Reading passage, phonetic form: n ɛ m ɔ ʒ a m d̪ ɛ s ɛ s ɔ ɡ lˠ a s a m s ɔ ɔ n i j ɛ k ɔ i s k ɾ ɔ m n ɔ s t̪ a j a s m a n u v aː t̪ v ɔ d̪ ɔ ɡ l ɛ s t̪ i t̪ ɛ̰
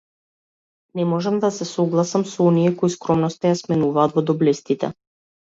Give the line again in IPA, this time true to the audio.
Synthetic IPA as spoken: n ɛ m ɔ ʒ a m d̪ a s ɛ s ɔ ɡ lˠ a s a m s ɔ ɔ n i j ɛ k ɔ i s k ɾ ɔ m n ɔ s t̪ a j a s m ɛ n u v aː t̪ v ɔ d̪ ɔ b l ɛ s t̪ i t̪ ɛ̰